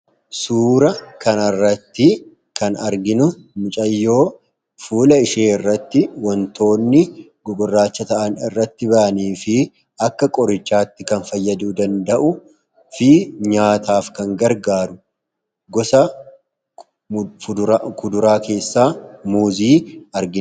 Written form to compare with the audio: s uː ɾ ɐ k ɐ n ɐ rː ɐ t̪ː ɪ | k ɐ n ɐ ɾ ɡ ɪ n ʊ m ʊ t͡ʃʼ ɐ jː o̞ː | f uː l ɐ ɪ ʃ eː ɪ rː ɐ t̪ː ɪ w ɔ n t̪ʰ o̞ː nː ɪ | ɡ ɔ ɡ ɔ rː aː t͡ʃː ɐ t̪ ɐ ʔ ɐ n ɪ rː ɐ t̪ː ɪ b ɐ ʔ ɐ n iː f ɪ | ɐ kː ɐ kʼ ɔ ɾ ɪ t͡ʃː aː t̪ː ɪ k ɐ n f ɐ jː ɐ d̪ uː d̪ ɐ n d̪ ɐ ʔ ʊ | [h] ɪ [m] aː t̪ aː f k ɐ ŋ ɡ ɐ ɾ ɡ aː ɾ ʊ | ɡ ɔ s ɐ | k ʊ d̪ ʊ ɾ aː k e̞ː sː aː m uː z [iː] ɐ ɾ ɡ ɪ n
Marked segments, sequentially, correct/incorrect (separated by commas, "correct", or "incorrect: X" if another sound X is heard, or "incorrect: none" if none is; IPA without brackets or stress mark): incorrect: f, incorrect: ɲ, correct